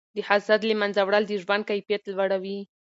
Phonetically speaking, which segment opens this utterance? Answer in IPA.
d̪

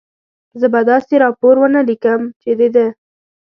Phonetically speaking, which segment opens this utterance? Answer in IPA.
z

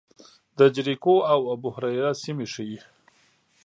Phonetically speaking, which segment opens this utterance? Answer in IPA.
d̪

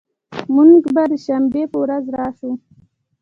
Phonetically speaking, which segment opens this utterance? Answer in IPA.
m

